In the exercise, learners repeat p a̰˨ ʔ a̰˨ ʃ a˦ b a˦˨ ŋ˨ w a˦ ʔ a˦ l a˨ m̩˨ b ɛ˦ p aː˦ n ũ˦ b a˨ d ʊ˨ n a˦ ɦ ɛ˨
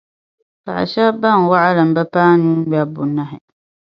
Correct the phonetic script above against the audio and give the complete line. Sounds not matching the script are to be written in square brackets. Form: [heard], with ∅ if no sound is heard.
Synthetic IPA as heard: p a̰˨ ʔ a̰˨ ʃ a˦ b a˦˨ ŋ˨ w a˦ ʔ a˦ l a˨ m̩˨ b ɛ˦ p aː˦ n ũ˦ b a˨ [b] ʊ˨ n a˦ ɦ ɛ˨